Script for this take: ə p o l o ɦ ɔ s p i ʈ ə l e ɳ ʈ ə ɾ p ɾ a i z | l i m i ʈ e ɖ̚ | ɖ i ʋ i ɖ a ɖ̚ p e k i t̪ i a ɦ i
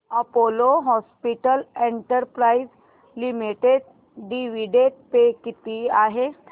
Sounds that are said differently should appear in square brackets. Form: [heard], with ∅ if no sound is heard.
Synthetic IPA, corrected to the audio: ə p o l o ɦ ɔ s p i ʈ ə l e ɳ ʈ ə ɾ p ɾ a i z | l i m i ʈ e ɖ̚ | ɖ i ʋ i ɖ [e] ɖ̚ p e k i t̪ i a ɦ [e]